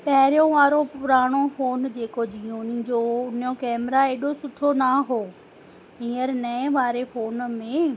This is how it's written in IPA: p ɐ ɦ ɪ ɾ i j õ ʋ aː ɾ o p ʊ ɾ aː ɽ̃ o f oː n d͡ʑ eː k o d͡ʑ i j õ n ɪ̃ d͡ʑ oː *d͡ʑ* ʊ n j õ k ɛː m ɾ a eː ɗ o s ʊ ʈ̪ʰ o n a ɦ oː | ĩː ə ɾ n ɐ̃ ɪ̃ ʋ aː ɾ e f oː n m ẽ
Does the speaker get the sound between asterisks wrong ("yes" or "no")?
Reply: yes